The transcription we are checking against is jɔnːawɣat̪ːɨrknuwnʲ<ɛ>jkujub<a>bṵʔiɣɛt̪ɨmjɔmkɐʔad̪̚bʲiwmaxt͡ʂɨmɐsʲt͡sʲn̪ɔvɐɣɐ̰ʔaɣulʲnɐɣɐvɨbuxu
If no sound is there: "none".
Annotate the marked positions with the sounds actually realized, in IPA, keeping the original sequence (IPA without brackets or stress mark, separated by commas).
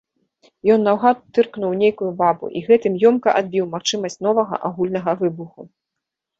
e, a